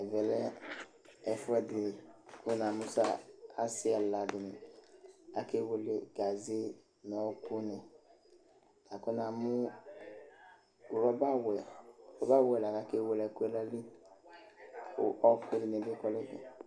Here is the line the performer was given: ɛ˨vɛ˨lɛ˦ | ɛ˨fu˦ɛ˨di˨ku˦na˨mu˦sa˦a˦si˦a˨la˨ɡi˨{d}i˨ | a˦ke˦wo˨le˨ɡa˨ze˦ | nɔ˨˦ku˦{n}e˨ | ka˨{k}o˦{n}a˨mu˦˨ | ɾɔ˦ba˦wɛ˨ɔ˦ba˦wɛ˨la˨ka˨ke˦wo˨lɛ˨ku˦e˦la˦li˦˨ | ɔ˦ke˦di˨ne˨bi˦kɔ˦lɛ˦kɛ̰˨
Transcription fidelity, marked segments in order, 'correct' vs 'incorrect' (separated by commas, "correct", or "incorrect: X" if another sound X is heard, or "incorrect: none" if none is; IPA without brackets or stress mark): incorrect: n, correct, correct, correct